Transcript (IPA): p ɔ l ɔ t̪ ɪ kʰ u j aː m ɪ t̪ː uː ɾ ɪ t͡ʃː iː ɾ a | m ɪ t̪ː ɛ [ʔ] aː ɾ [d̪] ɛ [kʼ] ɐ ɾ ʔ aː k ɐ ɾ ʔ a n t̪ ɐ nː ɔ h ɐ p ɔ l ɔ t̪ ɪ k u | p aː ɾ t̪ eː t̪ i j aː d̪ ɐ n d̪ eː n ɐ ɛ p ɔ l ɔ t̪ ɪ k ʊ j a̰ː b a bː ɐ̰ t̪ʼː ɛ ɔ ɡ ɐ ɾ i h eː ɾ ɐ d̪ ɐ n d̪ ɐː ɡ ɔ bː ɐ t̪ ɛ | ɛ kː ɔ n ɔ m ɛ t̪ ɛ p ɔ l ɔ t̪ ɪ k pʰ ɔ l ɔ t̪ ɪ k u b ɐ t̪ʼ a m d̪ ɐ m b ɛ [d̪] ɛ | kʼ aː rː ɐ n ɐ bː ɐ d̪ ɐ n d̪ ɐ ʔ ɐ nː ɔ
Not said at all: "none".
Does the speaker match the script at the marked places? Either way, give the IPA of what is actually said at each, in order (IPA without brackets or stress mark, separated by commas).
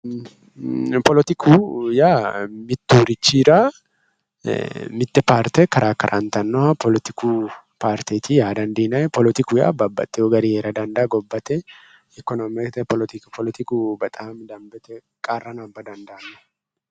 p, t̪, k, t̪